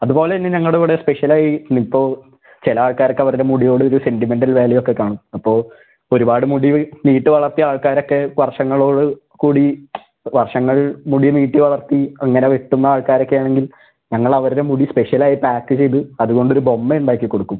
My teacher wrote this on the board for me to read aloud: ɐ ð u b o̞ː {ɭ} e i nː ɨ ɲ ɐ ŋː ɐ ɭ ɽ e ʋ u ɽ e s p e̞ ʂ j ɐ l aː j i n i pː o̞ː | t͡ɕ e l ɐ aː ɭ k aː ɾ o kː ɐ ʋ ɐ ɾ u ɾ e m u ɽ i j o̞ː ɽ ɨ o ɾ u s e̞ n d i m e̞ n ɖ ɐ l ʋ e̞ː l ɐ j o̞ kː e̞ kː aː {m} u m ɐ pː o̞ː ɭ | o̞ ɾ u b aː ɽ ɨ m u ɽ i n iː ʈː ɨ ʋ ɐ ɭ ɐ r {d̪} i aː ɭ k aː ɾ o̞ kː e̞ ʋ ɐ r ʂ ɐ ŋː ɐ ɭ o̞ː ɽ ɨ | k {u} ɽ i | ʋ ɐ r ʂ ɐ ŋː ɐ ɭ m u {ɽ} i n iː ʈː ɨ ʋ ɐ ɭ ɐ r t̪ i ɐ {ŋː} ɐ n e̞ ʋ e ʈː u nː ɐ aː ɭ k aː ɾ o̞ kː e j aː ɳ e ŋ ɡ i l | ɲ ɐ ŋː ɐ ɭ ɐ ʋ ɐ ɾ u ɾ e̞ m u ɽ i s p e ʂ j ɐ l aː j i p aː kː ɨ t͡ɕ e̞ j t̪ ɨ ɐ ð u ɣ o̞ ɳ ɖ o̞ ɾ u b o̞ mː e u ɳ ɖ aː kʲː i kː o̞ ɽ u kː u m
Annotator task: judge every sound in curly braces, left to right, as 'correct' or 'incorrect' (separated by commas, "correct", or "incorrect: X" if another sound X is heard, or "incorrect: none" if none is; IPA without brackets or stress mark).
incorrect: l, incorrect: ɳ, incorrect: t̪, incorrect: uː, correct, correct